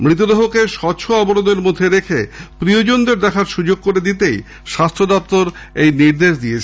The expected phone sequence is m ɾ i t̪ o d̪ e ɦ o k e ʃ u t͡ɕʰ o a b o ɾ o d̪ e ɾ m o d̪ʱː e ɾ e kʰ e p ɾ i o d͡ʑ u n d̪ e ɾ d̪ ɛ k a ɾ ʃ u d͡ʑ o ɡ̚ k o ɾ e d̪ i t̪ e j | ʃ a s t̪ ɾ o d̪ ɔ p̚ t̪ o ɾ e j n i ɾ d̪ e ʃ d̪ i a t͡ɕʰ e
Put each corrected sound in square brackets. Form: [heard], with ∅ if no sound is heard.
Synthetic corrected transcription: m ɾ i t̪ o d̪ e ɦ o k e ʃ [ɔ] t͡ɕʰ o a b o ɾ o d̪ e ɾ m o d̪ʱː e ɾ e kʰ e p ɾ i o d͡ʑ [o] n d̪ e ɾ d̪ ɛ [kʰ] a ɾ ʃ u d͡ʑ o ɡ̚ k o ɾ e d̪ i t̪ e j | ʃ a s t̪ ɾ o d̪ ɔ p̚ t̪ o ɾ e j n i ɾ d̪ e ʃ d̪ i [e] t͡ɕʰ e